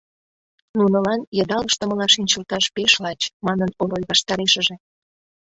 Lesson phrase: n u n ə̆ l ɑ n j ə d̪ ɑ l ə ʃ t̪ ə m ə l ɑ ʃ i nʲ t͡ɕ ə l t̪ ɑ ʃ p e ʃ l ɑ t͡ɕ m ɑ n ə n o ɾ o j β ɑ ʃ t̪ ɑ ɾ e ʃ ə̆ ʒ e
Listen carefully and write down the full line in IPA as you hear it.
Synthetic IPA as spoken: n u n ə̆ l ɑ n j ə d̪ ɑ l ə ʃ t̪ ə m ə l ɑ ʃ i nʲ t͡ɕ ə l t̪ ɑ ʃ p e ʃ l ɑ t͡ɕ m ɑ n ə n o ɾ o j β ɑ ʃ t̪ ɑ ɾ e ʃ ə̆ ʒ e